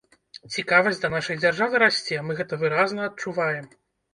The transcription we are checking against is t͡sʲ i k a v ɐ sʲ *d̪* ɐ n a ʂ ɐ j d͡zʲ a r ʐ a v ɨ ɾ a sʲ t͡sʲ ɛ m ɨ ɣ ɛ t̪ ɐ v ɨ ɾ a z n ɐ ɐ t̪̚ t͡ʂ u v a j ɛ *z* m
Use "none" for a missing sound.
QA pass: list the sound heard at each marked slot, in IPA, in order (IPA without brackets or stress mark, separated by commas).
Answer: d̪, none